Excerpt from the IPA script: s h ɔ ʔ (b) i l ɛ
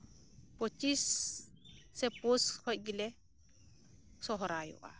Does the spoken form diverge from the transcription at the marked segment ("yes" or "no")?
yes